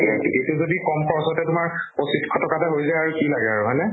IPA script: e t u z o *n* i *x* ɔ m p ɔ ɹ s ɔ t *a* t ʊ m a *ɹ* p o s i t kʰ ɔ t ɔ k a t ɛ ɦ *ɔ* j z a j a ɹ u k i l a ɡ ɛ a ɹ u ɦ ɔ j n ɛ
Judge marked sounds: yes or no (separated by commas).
no, no, no, yes, no